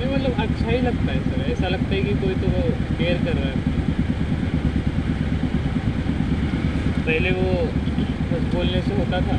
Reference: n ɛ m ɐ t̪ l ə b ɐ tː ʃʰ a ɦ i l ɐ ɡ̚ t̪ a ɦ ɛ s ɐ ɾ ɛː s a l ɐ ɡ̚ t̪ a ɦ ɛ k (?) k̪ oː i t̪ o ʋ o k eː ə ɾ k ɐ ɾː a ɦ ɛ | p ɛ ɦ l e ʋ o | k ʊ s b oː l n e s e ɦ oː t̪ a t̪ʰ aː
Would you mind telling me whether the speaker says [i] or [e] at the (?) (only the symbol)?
i